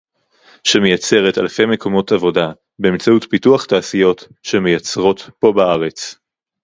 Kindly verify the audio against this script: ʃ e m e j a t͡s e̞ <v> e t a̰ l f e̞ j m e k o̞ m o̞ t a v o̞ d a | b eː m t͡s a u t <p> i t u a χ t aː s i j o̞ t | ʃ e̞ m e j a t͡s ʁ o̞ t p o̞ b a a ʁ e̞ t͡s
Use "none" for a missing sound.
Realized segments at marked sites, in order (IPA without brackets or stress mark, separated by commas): ʁ, p